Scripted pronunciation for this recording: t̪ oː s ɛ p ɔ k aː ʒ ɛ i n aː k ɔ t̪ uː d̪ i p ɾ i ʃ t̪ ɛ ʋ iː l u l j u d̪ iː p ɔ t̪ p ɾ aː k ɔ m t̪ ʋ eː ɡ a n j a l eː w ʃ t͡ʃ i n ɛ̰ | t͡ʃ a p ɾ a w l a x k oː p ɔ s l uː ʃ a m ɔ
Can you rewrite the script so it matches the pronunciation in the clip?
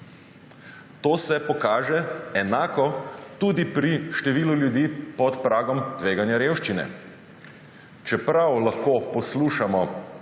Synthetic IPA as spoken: t̪ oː s ɛ p ɔ k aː ʒ ɛ ɛ n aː k ɔ t̪ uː d̪ i p ɾ i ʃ t̪ ɛ ʋ iː l u l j u d̪ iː p ɔ t̪ p ɾ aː ɡ ɔ m t̪ ʋ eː ɡ a n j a ɾ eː w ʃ t͡ʃ i n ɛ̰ | t͡ʃ ɛ p ɾ a w l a x k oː p ɔ s l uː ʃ a m ɔ